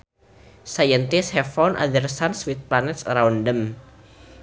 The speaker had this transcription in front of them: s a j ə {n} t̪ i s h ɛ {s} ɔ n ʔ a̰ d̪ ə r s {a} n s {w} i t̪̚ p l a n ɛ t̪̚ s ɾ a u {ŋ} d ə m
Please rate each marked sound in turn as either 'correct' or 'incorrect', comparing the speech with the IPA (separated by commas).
correct, incorrect, correct, correct, incorrect